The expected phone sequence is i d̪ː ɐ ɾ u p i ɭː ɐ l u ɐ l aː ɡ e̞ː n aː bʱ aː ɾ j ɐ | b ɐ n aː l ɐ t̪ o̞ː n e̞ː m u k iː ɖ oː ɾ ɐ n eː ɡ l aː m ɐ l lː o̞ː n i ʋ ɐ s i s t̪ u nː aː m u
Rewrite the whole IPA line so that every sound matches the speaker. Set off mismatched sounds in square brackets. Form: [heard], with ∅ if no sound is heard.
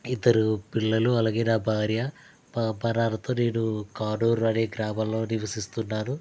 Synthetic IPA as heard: i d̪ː ɐ ɾ u p i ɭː ɐ l u ɐ l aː ɡ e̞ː n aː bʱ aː ɾ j ɐ | b ɐ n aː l ɐ t̪ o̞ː n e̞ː [n] u k [aː] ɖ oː ɾ ɐ n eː ɡ [ɾ] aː m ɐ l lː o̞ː n i ʋ ɐ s i s t̪ u nː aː [n] u